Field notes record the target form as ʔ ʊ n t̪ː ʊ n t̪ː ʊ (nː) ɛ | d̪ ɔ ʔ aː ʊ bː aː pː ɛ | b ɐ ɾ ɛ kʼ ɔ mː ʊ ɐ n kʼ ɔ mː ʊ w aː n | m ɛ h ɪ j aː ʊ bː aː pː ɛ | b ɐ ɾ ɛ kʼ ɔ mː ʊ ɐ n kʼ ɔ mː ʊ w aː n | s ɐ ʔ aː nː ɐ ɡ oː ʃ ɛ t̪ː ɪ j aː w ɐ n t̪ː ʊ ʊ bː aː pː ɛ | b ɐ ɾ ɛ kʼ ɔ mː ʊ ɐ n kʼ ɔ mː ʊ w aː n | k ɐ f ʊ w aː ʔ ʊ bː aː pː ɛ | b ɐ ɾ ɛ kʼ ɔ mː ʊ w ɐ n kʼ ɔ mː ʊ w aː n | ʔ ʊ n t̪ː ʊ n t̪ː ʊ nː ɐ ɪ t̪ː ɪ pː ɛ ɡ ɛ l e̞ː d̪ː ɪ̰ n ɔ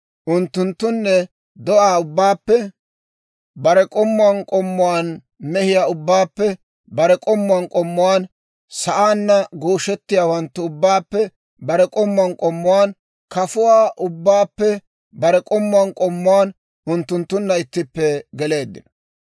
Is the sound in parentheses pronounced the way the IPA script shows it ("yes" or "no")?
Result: yes